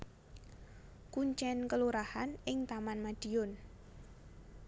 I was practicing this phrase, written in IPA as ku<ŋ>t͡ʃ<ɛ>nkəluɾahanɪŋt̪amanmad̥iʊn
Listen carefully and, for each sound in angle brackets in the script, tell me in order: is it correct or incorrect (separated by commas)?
incorrect, correct